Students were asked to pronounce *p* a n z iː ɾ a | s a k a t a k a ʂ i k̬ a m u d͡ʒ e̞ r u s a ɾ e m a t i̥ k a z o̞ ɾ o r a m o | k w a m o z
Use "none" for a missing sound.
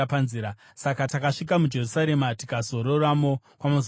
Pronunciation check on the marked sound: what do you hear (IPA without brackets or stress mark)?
p